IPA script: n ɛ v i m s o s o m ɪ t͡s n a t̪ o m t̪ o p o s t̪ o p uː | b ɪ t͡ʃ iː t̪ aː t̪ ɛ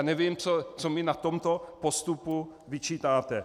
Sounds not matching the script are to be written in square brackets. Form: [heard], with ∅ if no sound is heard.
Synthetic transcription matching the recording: n ɛ v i m [t͡s] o [t͡s] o m ɪ [∅] n a t̪ o m t̪ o p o s t̪ [u] p [u] | [v] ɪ t͡ʃ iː t̪ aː t̪ ɛ